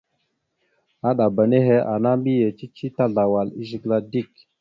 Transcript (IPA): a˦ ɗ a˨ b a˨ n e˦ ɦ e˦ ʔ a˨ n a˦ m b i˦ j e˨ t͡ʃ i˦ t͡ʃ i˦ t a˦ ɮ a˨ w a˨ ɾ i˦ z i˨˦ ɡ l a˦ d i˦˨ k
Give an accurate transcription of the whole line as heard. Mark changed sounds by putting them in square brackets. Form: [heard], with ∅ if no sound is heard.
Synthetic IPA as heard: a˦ ɗ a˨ b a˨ n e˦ ɦ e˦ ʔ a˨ n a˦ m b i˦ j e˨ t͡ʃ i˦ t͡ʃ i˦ t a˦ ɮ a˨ w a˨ [l] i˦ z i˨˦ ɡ l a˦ d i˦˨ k